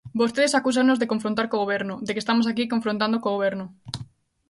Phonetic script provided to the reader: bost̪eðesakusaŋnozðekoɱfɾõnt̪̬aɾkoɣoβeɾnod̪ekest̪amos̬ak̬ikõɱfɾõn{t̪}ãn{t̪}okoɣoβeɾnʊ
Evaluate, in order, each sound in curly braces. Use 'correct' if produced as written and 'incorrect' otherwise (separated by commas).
correct, incorrect